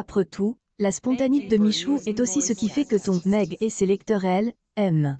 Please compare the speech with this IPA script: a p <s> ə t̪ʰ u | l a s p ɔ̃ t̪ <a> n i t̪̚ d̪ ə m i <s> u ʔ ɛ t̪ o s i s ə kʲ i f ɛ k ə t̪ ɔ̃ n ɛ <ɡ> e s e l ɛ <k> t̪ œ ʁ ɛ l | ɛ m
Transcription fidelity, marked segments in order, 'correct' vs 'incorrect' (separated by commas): incorrect, correct, incorrect, correct, correct